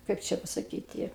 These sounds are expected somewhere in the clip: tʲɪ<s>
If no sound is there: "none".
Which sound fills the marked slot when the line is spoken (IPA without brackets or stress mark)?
none